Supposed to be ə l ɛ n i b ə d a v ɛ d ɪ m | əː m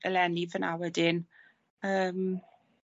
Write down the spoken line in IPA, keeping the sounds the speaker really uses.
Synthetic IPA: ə l ɛ n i v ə n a w ɛ d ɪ n | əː m